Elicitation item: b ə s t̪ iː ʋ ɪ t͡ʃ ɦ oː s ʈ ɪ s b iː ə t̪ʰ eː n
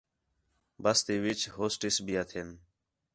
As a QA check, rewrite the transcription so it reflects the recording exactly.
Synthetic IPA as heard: b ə s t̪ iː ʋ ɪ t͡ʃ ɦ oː s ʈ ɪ s b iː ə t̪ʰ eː n